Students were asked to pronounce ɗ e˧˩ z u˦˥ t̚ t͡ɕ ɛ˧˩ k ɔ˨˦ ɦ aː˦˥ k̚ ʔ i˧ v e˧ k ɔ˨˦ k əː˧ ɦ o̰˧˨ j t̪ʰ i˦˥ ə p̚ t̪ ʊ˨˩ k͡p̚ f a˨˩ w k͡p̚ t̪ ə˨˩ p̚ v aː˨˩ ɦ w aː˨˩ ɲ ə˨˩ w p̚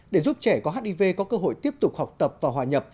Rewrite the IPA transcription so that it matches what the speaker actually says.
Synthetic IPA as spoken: ɗ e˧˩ z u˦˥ p̚ t͡ɕ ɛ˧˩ k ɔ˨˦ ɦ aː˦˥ t̚ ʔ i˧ v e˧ k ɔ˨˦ k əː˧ ɦ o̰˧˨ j t̪ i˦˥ ə p̚ t̪ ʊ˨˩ k͡p̚ h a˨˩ w k͡p̚ t̪ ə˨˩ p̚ v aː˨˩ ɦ w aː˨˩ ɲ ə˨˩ p̚